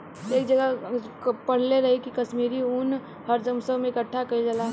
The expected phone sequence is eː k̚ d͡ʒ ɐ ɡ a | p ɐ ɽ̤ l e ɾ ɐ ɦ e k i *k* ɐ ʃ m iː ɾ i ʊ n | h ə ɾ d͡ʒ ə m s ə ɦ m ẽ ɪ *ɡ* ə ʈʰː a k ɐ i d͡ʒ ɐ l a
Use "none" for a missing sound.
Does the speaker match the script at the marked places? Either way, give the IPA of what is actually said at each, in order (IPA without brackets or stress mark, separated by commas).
k, k